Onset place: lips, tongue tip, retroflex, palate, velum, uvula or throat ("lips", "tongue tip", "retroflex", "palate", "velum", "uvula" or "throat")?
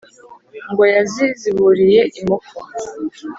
velum